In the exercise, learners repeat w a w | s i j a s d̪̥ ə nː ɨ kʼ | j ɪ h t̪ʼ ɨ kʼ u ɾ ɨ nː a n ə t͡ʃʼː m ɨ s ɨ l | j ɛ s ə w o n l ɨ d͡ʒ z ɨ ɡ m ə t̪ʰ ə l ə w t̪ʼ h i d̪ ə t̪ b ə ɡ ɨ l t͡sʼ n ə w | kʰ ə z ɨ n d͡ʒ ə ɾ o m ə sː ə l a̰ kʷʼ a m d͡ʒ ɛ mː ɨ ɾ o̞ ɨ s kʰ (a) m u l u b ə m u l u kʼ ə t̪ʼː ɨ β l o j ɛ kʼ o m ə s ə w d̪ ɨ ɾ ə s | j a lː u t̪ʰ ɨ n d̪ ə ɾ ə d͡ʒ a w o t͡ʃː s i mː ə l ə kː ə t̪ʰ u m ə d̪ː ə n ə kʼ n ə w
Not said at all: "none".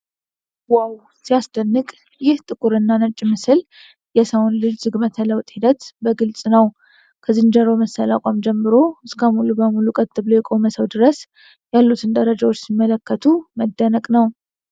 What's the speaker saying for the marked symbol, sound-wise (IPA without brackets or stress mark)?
ə